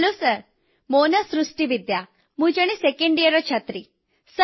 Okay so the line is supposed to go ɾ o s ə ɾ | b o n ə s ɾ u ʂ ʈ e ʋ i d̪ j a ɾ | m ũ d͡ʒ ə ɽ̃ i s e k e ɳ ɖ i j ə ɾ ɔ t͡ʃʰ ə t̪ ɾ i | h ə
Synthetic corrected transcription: l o s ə ɾ | m o n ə s ɾ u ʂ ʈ i ʋ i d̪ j a | m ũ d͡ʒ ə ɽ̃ i s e k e ɳ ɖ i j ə ɾ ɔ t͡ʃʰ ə t̪ ɾ i | s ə